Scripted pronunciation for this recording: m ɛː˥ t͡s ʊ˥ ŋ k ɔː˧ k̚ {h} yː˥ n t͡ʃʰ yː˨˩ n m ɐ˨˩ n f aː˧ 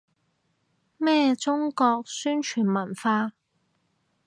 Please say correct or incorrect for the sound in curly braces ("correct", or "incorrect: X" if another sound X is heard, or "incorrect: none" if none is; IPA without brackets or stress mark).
incorrect: s